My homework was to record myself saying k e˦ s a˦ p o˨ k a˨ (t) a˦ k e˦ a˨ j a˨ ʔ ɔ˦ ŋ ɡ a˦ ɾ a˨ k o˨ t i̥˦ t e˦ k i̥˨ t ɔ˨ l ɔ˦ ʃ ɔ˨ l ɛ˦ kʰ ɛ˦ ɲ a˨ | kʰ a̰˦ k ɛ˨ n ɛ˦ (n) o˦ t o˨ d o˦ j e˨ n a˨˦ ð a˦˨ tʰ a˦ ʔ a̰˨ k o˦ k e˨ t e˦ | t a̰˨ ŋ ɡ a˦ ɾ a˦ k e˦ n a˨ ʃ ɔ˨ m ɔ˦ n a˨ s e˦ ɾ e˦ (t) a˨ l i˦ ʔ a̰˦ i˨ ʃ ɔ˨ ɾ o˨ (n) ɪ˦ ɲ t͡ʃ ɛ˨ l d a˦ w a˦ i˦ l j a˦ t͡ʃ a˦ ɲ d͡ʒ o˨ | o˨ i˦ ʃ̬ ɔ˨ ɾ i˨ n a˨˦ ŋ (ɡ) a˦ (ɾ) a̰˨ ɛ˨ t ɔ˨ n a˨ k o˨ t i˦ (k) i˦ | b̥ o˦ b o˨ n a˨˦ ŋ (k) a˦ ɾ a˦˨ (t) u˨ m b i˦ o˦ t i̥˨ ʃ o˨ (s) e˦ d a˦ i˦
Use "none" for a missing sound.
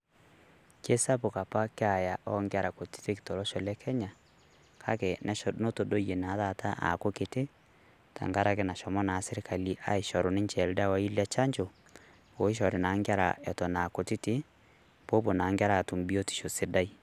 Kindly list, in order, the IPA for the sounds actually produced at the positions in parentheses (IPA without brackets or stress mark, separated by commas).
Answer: p, n, k, n, ɡ, ɾ, t, ɡ, t, s